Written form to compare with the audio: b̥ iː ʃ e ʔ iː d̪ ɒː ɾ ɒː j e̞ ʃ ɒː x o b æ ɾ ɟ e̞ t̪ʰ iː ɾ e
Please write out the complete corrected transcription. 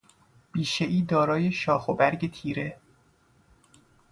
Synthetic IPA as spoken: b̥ iː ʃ e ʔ iː d̪ ɒː ɾ ɒː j e̞ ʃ ɒː x o b æ ɾ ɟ e̞ t̪ʰ iː ɾ e